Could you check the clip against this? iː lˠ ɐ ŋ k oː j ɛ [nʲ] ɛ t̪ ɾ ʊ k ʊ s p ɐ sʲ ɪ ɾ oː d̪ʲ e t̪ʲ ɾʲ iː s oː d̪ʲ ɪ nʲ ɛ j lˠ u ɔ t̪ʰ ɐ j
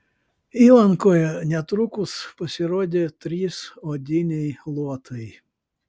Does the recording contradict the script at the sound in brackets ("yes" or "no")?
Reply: no